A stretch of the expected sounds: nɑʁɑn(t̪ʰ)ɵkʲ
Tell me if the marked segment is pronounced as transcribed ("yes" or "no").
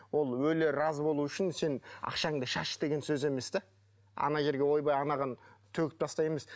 yes